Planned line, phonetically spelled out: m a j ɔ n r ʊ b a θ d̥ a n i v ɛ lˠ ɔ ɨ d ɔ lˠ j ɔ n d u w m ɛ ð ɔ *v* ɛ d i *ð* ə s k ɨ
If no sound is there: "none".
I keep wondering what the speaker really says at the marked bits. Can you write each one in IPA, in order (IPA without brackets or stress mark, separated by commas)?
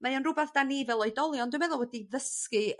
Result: w, ð